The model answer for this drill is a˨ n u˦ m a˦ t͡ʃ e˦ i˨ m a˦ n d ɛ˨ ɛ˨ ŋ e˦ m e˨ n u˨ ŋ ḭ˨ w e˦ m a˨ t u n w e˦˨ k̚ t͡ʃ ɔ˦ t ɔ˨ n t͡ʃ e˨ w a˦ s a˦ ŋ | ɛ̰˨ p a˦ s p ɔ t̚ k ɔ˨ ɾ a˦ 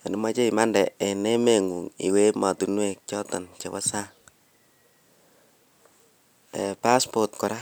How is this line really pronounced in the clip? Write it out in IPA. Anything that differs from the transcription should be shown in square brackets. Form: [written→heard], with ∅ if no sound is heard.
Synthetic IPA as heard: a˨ n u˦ m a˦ t͡ʃ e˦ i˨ m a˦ n d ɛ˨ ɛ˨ [ŋ→n] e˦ m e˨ [n→ŋ] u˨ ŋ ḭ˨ w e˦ m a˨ t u n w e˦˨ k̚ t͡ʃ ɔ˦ t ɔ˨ n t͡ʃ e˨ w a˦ s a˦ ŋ | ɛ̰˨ p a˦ s p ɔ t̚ k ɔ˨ ɾ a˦